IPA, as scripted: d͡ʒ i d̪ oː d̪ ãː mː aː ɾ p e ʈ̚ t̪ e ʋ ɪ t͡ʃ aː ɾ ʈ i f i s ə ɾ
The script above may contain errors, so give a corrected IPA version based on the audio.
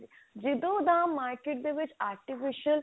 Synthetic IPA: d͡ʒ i d̪ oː d̪ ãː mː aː ɾ k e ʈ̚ d̪ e ʋ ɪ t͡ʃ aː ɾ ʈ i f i ʃ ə l

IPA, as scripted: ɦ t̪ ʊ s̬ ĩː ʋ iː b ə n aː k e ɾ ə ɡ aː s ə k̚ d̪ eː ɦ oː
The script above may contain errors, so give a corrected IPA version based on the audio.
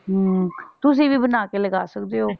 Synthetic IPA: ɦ t̪ ʊ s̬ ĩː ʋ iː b ə n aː k e l ə ɡ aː s ə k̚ d̪ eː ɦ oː

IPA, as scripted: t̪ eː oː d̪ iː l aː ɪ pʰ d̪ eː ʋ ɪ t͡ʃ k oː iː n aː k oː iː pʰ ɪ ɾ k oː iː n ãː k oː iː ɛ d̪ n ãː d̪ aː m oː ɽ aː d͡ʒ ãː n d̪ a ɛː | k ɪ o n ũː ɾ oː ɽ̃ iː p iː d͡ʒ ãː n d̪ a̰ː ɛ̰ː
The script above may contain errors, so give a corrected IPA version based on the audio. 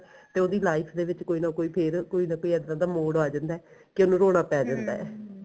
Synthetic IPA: t̪ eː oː d̪ iː l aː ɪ pʰ d̪ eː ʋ ɪ t͡ʃ k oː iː n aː k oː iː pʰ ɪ ɾ k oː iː n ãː k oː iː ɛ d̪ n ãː d̪ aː m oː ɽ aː d͡ʒ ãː n d̪ a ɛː | k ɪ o n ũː ɾ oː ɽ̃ aː p ɛː d͡ʒ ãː n d̪ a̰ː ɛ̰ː

